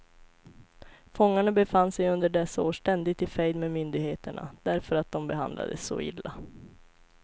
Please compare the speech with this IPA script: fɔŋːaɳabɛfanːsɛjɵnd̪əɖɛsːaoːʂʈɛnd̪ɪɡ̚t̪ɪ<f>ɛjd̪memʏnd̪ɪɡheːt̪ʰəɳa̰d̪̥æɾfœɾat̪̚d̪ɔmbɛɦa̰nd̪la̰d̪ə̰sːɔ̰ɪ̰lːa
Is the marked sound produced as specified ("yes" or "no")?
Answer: yes